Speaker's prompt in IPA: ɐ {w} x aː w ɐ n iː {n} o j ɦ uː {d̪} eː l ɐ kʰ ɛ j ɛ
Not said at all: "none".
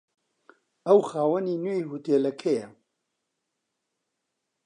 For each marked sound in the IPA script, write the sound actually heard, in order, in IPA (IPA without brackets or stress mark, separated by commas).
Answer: w, n, t̪